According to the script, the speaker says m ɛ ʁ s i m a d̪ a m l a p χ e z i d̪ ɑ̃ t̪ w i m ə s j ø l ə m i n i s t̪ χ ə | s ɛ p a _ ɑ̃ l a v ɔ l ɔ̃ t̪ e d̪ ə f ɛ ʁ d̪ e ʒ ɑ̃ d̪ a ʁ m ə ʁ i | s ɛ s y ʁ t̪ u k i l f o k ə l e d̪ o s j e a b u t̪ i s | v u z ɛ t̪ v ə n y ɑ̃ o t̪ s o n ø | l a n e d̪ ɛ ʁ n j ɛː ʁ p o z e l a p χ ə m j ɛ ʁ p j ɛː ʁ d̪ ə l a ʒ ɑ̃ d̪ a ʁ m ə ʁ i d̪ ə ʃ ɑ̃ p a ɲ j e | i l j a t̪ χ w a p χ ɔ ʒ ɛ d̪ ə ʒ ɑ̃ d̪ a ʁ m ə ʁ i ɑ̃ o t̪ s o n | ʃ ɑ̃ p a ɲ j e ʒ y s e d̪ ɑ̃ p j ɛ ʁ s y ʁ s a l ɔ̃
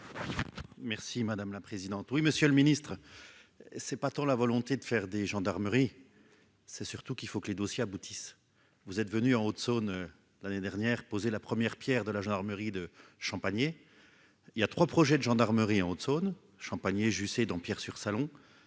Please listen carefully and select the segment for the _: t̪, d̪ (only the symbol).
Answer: t̪